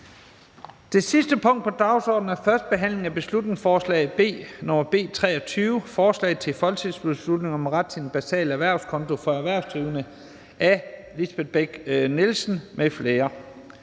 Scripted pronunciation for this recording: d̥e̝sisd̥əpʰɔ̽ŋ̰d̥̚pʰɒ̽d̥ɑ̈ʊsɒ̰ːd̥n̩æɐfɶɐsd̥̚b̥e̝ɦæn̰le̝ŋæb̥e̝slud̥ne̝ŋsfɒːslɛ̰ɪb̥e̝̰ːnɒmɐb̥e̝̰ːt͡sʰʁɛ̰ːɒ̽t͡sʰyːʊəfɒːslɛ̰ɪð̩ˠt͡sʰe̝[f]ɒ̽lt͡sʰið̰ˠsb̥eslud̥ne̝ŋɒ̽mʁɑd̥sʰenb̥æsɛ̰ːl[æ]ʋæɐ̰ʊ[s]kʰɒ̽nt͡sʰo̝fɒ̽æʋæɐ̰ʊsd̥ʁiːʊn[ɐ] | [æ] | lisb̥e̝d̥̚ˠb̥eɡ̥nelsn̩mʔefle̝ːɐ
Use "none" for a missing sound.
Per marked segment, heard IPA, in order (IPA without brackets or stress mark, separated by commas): f, æ, s, ə, æ